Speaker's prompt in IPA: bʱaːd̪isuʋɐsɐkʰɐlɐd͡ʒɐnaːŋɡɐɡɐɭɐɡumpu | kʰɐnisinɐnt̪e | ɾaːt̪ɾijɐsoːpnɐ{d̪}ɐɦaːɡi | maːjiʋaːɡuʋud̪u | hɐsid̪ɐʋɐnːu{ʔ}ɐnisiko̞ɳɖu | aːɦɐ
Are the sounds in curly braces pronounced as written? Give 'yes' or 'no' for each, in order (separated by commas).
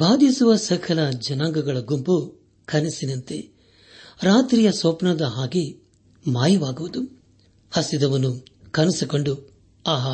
yes, no